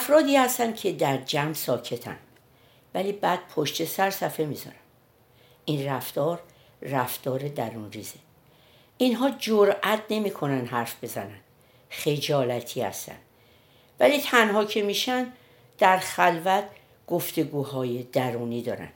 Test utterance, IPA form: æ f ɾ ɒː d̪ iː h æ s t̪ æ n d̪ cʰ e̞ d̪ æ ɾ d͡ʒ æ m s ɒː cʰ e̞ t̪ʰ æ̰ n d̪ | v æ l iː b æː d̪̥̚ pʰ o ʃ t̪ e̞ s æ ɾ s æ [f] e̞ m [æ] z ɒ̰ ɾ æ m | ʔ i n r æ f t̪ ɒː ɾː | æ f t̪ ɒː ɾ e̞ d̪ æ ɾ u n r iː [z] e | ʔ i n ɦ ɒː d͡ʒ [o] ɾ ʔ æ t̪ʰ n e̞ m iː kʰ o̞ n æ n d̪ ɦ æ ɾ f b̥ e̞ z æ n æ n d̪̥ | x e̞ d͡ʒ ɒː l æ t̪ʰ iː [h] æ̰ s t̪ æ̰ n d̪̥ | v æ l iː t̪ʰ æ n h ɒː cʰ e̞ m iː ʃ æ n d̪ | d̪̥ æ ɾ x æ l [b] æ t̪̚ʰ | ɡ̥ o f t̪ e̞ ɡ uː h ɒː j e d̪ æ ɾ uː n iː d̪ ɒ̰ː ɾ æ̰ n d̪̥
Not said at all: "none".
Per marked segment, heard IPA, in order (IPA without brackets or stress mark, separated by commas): f, i, z, o, h, v